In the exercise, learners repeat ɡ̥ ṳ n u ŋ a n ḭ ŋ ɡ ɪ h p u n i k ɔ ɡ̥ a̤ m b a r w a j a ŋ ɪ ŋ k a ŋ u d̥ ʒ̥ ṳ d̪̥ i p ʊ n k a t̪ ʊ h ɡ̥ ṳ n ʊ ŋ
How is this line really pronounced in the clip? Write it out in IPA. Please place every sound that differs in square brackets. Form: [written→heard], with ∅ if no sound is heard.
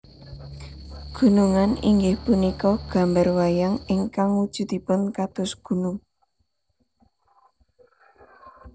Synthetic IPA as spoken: ɡ̥ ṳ n u ŋ a n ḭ ŋ ɡ ɪ h p u n i k ɔ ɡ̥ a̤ m b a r w a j a ŋ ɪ ŋ k a ŋ u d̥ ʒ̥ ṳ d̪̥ i p ʊ n k a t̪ ʊ [h→s] ɡ̥ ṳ n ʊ ŋ